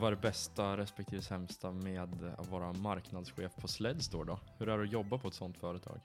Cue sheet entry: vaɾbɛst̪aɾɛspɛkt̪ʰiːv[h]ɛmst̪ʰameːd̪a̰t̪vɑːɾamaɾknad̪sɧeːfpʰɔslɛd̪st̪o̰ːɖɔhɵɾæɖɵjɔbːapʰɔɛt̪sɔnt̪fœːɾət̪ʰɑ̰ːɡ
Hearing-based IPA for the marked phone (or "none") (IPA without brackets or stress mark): s